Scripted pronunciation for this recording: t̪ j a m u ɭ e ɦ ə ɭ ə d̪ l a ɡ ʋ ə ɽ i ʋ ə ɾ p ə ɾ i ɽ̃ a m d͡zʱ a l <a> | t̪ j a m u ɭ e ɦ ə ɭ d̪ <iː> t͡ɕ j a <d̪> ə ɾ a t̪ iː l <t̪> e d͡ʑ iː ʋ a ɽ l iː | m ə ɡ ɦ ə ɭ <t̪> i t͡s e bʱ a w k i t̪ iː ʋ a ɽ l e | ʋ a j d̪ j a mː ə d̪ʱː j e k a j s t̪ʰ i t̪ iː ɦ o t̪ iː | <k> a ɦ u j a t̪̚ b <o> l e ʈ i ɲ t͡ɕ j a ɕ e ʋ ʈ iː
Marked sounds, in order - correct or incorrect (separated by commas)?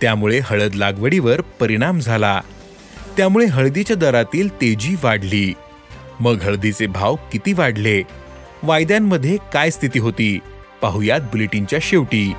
correct, incorrect, correct, correct, incorrect, incorrect, incorrect